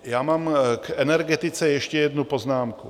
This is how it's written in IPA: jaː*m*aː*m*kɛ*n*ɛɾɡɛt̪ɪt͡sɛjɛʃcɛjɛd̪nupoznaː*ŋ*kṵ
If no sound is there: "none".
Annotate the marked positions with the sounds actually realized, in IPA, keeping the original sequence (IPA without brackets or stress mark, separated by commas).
m, m, n, m